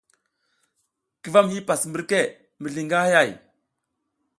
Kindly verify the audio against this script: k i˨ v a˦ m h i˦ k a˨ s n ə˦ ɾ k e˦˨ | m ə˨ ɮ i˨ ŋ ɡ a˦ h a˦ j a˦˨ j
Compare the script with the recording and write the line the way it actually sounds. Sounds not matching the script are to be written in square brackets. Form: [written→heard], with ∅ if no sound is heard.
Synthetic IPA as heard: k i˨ v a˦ m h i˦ [k→p] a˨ s [n→m] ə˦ ɾ k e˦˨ | m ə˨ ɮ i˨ ŋ ɡ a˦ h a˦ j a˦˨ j